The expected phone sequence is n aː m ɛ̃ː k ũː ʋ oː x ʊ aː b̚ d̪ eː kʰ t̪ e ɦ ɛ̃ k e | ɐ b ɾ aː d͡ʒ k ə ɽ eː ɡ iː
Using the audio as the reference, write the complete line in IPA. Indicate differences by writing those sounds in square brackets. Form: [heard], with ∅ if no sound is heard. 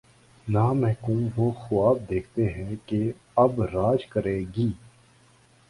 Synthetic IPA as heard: n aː m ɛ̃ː k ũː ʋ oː x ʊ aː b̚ d̪ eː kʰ t̪ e ɦ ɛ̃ k e | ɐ b ɾ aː d͡ʒ k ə [ɾ] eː ɡ iː